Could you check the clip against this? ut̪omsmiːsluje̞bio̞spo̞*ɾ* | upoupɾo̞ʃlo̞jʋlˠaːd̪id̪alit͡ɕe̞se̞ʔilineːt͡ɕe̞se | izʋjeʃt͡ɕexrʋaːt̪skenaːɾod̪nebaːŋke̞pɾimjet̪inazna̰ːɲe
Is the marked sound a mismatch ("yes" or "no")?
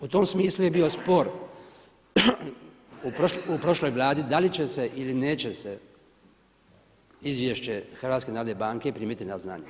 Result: no